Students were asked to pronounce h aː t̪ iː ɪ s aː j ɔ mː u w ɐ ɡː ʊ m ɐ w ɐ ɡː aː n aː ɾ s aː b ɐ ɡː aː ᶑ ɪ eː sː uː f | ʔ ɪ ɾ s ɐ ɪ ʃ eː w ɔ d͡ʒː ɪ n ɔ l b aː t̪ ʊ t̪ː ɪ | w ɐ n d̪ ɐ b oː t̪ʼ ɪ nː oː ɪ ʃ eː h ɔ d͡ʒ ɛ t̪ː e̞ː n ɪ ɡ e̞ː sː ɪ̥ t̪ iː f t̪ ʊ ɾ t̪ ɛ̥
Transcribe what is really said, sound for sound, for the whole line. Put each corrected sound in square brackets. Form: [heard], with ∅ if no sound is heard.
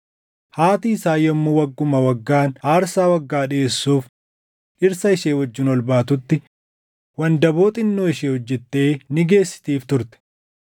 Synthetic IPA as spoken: h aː t̪ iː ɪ s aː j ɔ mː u w ɐ ɡː ʊ m ɐ w ɐ ɡː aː n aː ɾ s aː [w] ɐ ɡː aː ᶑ ɪ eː sː uː f | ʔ ɪ ɾ s ɐ ɪ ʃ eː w ɔ d͡ʒː ɪ n ɔ l b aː t̪ ʊ t̪ː ɪ | w ɐ n d̪ ɐ b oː t̪ʼ ɪ nː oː ɪ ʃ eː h ɔ [d͡ʒː] ɛ t̪ː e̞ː n ɪ ɡ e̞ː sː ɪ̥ t̪ iː f t̪ ʊ ɾ t̪ ɛ̥